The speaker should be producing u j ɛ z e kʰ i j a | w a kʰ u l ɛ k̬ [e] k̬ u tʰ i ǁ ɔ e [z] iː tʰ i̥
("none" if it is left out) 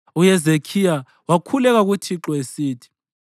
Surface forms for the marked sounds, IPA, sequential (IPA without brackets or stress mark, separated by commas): a, s